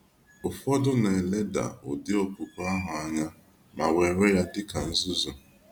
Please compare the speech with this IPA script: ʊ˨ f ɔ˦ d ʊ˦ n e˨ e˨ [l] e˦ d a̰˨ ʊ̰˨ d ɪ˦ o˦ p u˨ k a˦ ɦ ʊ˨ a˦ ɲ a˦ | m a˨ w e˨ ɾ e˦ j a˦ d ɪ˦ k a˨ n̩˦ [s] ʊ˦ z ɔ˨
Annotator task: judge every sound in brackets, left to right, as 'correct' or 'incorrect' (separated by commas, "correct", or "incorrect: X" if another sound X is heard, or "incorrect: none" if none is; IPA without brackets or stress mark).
correct, incorrect: z